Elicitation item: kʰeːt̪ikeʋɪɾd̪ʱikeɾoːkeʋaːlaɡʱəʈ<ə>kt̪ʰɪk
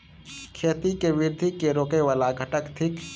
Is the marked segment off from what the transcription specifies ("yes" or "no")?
no